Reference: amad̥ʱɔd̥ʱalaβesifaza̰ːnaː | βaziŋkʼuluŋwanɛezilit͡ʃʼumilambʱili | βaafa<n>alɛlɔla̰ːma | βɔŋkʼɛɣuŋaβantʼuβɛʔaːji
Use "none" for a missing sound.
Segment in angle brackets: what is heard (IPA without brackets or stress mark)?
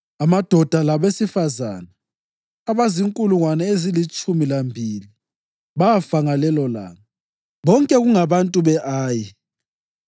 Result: ŋ